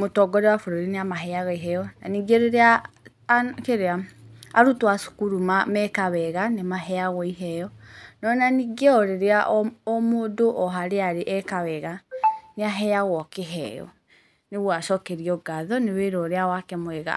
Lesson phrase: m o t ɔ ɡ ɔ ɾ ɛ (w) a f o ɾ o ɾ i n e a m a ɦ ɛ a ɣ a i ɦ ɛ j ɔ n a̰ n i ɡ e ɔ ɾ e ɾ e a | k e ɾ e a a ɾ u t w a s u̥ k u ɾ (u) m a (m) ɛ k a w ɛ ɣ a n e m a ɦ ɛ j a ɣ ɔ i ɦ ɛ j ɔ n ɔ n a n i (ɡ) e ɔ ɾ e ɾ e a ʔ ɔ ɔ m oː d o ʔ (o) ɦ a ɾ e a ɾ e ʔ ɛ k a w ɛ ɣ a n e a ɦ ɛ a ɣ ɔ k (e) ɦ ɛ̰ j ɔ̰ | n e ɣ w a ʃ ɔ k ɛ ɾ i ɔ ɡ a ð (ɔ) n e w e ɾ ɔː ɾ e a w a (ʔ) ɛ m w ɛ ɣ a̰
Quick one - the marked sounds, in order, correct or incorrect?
correct, correct, correct, correct, incorrect: ɔ, correct, correct, incorrect: k

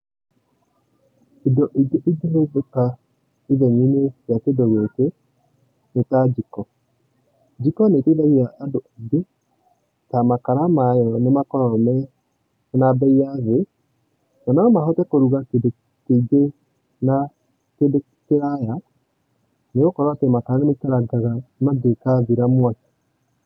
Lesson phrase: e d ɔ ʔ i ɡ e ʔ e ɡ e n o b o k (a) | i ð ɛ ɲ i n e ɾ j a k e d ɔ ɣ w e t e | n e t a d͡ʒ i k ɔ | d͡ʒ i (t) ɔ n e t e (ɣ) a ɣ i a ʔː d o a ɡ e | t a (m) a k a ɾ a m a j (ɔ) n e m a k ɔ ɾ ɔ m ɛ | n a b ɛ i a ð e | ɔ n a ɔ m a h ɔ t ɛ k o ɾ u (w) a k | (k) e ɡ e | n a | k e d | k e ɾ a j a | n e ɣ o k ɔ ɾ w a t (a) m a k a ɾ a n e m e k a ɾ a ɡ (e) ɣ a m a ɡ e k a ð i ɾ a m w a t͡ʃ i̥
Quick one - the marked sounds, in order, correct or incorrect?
correct, incorrect: k, incorrect: ð, correct, correct, incorrect: ɣ, correct, incorrect: e, incorrect: a

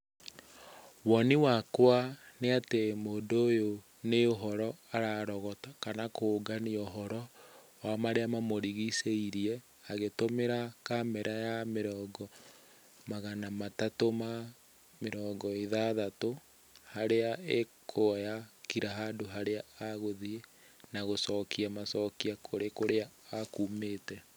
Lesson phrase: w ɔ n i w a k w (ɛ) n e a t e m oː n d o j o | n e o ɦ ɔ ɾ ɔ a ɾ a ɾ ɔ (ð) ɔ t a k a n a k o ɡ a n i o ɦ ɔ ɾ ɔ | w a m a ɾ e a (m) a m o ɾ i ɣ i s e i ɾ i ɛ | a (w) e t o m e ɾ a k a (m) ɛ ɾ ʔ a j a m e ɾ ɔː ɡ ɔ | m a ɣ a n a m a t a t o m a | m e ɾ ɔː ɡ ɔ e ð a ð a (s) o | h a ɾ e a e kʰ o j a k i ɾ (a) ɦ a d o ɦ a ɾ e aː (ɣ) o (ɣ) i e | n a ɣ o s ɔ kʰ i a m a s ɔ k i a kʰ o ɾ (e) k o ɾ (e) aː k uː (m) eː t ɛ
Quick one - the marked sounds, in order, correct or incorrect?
incorrect: a, incorrect: ɣ, correct, incorrect: ɣ, correct, incorrect: t, correct, correct, incorrect: ð, correct, correct, correct

